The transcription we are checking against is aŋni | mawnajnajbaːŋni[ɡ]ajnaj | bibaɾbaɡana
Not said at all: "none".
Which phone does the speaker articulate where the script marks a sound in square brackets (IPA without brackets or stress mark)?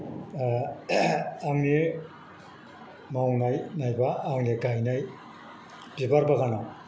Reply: ɡ